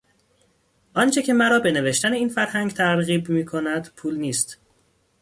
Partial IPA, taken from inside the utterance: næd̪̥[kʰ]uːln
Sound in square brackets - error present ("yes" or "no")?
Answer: yes